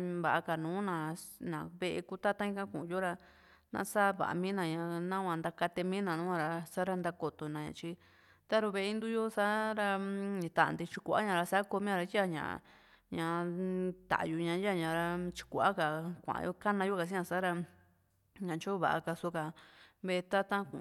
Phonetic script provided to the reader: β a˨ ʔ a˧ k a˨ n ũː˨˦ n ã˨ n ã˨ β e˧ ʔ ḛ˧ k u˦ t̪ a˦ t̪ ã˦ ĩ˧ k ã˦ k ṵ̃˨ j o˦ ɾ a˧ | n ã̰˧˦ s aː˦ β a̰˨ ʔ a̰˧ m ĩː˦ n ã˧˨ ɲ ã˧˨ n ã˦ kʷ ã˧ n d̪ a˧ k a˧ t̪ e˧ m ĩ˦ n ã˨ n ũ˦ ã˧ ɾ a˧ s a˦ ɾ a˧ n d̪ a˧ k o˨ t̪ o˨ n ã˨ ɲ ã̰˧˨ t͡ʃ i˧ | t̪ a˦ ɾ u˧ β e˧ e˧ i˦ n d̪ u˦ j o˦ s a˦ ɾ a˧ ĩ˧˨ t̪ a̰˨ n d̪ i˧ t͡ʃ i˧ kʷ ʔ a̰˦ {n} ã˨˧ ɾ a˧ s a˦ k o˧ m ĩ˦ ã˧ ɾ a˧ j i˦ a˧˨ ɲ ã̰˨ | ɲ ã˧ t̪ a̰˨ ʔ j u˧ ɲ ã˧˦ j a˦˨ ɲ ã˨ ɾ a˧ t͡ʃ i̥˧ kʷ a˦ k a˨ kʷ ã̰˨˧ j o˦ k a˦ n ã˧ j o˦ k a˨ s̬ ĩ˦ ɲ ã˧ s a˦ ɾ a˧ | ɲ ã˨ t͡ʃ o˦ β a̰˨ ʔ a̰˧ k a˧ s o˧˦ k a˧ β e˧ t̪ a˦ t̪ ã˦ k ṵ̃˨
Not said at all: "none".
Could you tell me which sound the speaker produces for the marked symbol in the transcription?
ɲ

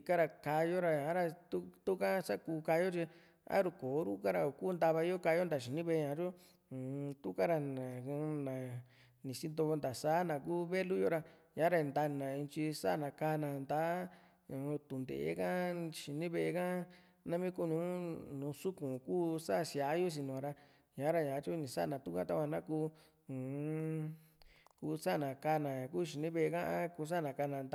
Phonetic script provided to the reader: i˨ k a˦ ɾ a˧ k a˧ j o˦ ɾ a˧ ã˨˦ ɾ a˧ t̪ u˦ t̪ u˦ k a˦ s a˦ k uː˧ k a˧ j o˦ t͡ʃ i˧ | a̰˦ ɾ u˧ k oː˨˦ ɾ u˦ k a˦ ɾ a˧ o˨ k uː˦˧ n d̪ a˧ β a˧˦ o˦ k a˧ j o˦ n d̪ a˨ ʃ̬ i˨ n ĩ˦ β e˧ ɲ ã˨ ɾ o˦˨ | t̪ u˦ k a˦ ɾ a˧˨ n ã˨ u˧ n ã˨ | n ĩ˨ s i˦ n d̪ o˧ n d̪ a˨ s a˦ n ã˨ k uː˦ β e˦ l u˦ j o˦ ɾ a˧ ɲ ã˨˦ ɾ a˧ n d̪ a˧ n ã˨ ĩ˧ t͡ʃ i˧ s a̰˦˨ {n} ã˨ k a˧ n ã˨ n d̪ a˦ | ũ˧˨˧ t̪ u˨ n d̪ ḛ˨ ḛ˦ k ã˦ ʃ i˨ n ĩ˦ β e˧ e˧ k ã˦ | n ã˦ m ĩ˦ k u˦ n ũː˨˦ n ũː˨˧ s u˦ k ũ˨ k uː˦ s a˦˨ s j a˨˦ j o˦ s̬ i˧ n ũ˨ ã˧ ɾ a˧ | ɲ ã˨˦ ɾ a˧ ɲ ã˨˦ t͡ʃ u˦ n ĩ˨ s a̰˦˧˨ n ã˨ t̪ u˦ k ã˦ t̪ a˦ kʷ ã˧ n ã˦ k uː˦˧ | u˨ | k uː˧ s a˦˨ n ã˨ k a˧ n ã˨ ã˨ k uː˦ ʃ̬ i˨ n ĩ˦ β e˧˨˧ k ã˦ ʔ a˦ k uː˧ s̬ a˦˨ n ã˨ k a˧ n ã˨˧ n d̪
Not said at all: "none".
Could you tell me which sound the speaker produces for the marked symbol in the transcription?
n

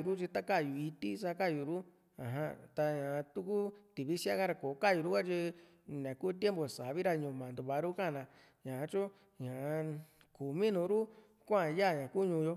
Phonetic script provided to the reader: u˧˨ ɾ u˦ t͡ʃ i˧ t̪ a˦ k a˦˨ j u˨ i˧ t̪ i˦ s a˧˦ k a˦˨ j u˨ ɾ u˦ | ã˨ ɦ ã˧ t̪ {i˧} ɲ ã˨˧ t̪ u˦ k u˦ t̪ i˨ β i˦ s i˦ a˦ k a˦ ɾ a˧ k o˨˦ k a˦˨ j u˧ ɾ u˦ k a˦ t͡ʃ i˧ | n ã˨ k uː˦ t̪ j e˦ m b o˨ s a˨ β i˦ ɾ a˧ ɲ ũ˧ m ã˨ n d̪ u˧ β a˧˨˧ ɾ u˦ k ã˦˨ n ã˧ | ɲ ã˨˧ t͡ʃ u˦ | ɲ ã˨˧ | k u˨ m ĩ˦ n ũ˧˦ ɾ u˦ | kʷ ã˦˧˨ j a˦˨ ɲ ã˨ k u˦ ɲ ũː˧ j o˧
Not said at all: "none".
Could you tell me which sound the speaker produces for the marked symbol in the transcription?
a˧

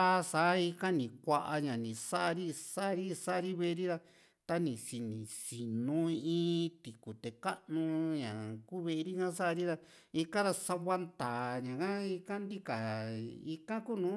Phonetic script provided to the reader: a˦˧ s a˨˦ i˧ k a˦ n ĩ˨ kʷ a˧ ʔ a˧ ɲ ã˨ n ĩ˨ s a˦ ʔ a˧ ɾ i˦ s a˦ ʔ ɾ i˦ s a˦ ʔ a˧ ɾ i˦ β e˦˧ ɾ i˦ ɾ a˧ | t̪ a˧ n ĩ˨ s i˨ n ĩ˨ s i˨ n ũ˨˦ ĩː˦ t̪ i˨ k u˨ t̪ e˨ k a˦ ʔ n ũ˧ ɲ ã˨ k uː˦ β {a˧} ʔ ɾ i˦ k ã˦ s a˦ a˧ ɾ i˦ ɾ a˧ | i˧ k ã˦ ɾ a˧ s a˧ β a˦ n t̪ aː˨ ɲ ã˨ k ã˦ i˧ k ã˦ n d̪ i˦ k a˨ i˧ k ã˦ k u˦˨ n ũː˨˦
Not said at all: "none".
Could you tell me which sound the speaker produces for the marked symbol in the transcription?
e˧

